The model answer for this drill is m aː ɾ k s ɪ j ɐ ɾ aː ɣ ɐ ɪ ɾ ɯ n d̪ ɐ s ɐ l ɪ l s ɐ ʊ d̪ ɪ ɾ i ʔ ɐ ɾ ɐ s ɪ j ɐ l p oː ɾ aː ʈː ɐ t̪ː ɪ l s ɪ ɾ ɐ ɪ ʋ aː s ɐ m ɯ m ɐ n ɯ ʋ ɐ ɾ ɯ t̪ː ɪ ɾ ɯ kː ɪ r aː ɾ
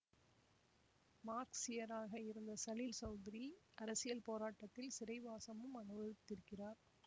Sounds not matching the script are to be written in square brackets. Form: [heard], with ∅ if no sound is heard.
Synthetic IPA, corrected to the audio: m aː ɾ k s ɪ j ɐ ɾ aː ɣ ɐ ɪ ɾ ɯ n d̪ ɐ s ɐ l ɪ l s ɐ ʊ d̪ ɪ ɾ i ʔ ɐ ɾ ɐ s ɪ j ɐ l p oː ɾ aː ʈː ɐ t̪ː ɪ l s ɪ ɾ ɐ ɪ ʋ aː s ɐ m ɯ m ɐ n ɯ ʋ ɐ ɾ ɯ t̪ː ɪ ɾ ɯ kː ɪ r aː ɾ